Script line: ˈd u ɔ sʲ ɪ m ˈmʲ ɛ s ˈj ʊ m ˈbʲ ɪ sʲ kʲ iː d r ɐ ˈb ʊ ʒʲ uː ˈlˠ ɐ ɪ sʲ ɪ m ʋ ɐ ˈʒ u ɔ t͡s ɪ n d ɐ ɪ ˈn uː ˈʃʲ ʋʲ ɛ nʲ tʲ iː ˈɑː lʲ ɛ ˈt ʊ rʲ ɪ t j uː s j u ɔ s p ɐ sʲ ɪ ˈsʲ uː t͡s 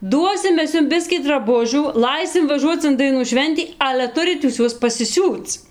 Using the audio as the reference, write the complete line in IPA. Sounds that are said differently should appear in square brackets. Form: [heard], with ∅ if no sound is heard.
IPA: ˈd u ɔ sʲ ɪ m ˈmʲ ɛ s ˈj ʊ m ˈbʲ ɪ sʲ kʲ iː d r ɐ ˈb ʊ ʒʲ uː ˈlˠ ɐ ɪ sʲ ɪ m ʋ ɐ ˈʒ u ɔ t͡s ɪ n d ɐ ɪ ˈn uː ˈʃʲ ʋʲ ɛ nʲ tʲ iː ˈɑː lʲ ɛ ˈt ʊ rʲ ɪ t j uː s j u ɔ s p ɐ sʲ ɪ ˈsʲ uː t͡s